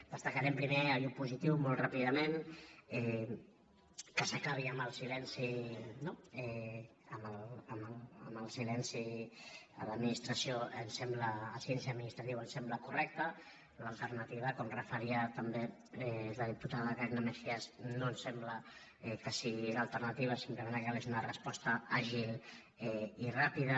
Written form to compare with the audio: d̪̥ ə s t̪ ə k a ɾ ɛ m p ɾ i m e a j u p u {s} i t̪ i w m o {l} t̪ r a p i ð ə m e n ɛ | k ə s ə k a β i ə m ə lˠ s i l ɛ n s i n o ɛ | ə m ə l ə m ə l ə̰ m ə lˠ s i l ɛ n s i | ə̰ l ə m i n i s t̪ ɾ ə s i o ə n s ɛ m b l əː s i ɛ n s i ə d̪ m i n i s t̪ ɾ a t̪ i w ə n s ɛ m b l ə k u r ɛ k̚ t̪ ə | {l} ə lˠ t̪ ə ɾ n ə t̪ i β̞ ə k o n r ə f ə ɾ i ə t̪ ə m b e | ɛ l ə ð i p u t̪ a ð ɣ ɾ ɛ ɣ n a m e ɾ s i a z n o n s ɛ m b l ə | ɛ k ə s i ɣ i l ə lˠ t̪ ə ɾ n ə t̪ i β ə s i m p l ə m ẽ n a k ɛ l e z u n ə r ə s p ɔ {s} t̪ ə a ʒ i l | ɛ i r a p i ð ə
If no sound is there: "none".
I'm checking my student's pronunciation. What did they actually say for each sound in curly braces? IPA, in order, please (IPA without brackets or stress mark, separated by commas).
z, l, l, s